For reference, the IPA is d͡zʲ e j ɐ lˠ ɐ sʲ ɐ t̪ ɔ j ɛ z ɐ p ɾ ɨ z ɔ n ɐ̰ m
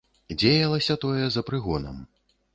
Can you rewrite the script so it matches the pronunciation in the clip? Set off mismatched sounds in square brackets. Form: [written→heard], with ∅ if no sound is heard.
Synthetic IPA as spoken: d͡zʲ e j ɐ lˠ ɐ sʲ ɐ t̪ ɔ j ɛ z ɐ p ɾ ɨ [z→ɣ] ɔ n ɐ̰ m